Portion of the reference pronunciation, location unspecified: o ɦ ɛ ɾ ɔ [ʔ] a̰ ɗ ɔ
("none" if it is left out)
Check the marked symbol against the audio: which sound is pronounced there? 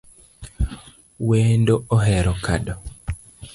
k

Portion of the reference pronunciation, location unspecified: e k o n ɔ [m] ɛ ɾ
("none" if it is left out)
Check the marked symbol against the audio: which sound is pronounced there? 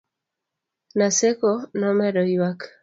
m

